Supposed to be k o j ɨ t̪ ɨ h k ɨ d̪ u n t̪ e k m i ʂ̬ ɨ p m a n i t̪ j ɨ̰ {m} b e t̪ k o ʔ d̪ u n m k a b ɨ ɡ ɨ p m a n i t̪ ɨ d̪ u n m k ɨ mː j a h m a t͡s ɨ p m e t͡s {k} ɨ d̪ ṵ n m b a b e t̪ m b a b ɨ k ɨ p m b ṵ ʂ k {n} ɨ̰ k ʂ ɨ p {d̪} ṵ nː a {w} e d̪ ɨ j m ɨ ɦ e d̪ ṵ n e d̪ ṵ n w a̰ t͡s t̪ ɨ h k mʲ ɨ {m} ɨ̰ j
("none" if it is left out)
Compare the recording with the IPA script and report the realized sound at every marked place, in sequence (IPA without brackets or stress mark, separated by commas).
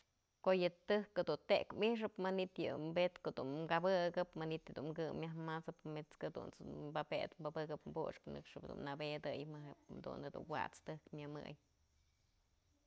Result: m, k, n, d̪, b, m